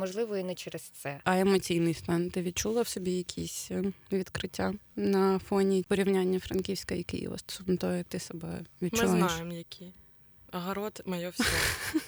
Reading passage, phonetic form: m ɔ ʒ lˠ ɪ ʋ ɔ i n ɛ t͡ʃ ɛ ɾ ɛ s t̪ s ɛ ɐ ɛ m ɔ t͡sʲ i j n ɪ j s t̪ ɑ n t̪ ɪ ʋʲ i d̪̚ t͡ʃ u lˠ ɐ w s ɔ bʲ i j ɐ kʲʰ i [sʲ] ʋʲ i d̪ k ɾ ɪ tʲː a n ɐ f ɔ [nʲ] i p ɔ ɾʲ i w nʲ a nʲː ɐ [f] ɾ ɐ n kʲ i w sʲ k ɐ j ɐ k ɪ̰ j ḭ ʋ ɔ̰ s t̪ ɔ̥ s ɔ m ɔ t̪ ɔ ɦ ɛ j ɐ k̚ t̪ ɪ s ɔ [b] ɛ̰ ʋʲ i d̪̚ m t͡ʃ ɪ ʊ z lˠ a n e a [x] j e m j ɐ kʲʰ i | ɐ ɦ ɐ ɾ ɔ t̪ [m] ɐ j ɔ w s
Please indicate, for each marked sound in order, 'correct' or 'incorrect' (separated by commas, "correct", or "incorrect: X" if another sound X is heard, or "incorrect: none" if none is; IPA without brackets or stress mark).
correct, correct, correct, correct, incorrect: ʃ, correct